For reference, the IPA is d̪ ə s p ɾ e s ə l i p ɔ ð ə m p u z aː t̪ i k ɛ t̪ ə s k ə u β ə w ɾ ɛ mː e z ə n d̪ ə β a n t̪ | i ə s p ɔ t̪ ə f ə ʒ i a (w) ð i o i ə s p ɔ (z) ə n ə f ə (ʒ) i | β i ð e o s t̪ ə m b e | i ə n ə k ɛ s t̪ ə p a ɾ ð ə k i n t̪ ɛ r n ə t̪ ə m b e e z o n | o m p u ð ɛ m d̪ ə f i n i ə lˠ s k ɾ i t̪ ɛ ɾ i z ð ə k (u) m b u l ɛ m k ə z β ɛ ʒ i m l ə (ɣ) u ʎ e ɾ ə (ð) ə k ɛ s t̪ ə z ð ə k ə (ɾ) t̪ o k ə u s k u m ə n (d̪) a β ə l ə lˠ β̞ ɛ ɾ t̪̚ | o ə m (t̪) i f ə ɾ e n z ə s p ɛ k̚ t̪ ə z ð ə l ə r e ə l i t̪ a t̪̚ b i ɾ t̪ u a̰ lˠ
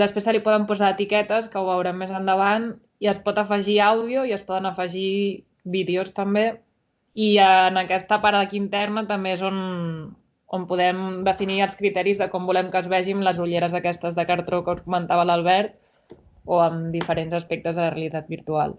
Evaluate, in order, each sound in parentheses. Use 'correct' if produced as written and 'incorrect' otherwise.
correct, incorrect, correct, incorrect, incorrect, incorrect, correct, incorrect, incorrect

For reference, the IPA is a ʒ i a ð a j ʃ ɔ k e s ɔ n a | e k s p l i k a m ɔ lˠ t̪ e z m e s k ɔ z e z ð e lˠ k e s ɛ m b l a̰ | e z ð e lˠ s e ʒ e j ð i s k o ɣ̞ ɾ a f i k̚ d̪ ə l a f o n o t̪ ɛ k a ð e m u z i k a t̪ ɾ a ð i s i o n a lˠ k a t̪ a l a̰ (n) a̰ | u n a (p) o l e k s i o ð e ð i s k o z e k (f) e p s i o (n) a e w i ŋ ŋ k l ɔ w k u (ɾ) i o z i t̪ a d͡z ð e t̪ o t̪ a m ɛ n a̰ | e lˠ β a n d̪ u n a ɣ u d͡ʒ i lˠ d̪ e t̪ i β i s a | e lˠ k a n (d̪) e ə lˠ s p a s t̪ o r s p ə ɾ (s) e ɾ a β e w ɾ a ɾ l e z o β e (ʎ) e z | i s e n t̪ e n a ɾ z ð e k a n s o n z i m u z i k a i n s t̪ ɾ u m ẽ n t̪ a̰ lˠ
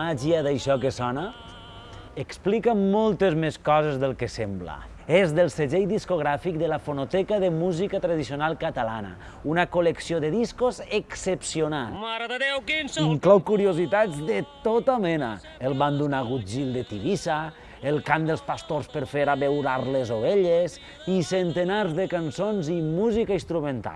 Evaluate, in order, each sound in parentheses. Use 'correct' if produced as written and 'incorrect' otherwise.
correct, incorrect, incorrect, correct, correct, correct, incorrect, correct

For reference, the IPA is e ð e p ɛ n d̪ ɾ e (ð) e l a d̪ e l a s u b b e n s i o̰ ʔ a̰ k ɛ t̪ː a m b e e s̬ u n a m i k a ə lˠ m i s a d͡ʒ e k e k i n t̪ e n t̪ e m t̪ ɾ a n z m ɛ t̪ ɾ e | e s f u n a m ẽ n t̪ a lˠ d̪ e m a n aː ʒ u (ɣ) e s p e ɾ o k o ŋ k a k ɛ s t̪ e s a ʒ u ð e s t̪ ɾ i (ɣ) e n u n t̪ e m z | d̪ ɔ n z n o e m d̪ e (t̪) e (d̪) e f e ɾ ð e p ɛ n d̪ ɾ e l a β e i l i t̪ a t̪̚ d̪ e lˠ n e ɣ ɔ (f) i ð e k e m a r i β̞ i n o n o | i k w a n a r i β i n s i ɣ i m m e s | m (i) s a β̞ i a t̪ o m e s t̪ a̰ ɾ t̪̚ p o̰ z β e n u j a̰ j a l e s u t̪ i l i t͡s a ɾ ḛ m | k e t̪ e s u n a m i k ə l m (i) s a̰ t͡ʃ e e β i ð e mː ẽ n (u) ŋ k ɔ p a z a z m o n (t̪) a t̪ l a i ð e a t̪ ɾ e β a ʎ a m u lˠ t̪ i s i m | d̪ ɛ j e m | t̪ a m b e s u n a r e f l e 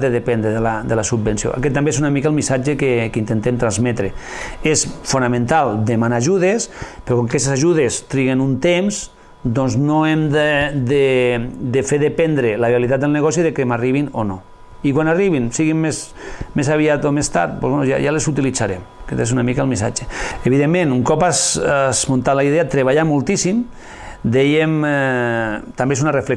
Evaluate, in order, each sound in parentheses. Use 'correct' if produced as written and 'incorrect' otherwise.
correct, incorrect, correct, incorrect, correct, incorrect, incorrect, correct, correct, correct

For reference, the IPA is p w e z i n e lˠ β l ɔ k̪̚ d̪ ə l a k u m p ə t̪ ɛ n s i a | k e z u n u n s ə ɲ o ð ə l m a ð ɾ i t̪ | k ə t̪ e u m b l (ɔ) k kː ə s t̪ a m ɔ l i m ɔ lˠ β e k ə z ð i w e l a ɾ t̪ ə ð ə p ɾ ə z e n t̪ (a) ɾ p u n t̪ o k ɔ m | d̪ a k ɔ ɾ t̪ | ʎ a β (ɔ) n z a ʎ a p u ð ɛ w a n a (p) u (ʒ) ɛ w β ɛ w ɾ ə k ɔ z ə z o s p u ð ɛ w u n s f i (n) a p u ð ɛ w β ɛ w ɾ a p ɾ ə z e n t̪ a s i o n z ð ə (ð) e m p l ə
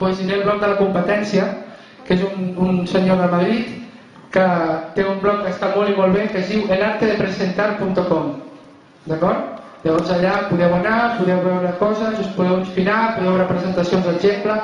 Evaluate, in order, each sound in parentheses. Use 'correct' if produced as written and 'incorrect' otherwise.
correct, correct, correct, correct, incorrect, correct, incorrect

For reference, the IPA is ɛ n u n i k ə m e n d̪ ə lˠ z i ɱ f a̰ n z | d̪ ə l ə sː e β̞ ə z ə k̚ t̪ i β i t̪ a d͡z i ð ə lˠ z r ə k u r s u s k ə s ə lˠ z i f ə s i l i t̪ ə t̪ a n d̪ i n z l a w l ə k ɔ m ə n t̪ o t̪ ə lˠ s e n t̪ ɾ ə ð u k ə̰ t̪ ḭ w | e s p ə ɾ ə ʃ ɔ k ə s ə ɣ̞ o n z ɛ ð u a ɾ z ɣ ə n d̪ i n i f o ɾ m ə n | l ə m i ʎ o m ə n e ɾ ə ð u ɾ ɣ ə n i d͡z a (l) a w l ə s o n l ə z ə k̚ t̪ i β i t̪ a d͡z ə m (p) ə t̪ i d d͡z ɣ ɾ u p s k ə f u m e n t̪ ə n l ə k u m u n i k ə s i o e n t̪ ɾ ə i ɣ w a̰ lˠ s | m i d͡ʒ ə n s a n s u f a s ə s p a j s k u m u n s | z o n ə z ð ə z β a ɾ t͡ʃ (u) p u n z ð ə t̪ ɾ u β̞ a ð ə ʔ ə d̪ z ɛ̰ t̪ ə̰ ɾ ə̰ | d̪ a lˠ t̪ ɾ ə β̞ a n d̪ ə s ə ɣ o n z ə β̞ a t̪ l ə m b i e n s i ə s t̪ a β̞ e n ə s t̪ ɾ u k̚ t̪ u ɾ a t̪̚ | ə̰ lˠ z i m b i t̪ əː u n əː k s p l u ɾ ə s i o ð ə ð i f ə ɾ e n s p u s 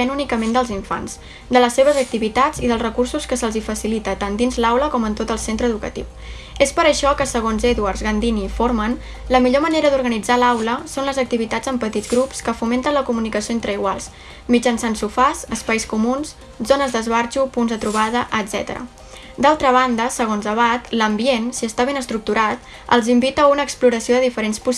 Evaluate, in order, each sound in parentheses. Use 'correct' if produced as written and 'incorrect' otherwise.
correct, correct, correct

